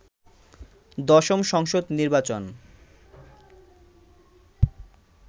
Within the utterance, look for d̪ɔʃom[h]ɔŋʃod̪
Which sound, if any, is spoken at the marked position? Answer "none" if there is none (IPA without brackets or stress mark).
ʃ